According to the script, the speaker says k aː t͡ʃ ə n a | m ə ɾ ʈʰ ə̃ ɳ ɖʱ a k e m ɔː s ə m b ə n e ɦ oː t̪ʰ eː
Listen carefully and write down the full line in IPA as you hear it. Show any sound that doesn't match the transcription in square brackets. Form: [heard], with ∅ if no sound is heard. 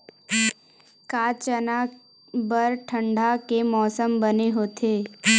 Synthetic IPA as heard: k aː t͡ʃ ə n a | [b] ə ɾ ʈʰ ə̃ ɳ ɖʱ a k e m ɔː s ə m b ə n e ɦ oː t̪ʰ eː